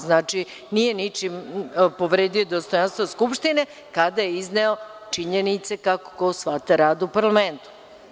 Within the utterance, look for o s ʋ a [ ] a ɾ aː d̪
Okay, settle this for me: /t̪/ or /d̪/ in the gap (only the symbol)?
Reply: t̪